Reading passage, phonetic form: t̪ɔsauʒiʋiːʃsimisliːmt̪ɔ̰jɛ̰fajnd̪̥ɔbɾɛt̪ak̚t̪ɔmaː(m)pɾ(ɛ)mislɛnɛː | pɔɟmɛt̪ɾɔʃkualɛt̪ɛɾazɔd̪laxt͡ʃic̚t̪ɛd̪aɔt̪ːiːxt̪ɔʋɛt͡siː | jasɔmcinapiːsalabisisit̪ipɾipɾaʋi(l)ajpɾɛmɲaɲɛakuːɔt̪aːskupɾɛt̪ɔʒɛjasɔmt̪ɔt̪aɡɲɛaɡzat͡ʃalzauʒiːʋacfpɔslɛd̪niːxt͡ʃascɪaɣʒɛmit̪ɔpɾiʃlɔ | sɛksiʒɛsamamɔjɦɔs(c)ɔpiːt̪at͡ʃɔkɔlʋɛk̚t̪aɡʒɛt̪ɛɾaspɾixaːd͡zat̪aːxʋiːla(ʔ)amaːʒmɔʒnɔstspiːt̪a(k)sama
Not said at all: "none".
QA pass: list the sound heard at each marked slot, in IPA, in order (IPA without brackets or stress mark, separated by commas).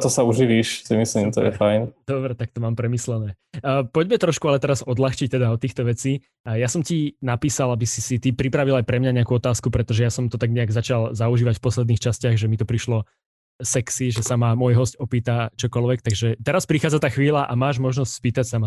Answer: m, ɛ, l, c, ʔ, c